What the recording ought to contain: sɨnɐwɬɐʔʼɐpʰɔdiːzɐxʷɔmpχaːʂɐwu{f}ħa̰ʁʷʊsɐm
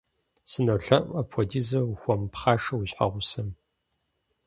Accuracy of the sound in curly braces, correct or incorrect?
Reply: incorrect